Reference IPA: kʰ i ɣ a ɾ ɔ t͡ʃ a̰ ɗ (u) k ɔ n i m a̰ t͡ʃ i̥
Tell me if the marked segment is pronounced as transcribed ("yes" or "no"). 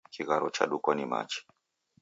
yes